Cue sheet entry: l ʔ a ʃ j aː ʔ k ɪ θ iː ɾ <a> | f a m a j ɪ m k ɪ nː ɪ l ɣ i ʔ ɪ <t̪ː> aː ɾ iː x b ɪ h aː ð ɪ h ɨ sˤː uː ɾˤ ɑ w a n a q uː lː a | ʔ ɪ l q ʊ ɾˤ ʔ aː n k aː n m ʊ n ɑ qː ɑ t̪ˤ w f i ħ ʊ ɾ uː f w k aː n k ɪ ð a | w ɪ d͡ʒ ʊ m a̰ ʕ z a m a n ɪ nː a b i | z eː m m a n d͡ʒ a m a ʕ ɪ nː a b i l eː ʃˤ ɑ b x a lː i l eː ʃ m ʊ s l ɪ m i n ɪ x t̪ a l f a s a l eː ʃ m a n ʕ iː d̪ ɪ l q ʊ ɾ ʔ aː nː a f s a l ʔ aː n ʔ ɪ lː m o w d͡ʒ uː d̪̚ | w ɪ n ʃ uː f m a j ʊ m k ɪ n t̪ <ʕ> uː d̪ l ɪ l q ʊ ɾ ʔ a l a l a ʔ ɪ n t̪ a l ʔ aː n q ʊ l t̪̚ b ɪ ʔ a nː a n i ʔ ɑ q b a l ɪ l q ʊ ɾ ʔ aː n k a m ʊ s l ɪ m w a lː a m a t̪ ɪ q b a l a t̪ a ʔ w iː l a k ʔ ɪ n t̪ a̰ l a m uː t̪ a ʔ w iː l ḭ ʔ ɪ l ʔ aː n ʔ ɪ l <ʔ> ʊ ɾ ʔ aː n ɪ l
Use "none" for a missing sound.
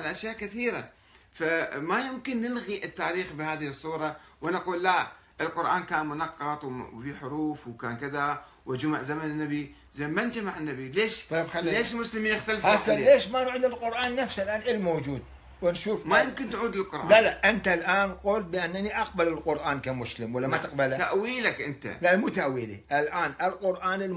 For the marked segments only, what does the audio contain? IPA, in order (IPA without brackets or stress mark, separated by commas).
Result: a, t̪ː, ʕ, q